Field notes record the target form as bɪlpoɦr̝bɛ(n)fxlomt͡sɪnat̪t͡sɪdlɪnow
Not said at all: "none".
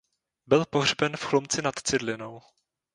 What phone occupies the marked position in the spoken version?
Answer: n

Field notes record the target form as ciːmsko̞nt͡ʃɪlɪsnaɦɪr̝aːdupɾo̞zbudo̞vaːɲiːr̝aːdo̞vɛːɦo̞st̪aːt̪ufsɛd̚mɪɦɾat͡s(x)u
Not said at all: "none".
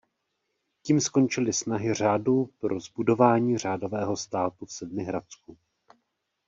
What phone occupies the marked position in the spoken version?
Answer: k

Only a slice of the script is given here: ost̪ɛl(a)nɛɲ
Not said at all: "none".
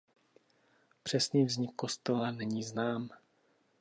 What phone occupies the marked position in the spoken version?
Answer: a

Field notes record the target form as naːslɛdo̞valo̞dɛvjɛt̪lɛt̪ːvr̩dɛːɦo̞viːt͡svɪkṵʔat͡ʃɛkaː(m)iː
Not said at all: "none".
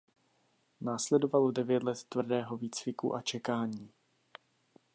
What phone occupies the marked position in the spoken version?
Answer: ɲ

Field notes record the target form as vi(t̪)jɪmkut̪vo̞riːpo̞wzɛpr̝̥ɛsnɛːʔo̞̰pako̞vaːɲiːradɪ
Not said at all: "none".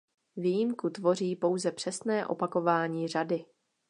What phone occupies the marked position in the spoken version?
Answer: none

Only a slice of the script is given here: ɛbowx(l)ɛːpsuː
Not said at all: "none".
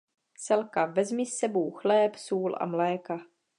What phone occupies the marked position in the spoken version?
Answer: l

